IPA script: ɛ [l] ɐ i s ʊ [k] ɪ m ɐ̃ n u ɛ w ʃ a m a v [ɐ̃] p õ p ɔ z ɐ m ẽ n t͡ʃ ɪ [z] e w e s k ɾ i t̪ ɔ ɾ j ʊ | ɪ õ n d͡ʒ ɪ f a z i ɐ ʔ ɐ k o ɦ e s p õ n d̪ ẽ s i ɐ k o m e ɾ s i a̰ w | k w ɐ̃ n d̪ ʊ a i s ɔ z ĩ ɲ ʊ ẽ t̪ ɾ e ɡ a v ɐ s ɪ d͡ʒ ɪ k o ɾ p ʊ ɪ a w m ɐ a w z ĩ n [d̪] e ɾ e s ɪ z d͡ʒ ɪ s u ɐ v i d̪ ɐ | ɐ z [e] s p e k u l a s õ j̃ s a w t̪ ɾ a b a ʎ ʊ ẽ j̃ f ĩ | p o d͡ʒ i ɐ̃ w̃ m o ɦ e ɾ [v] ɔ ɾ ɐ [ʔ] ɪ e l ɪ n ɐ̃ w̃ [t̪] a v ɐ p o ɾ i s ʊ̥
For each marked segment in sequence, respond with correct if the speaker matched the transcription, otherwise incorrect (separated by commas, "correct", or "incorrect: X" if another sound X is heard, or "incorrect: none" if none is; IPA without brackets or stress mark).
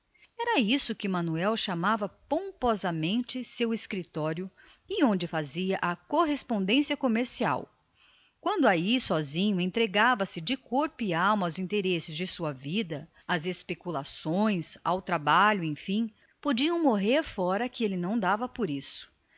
incorrect: ɾ, correct, incorrect: ɐ, incorrect: s, incorrect: t̪, correct, incorrect: f, incorrect: k, incorrect: d̪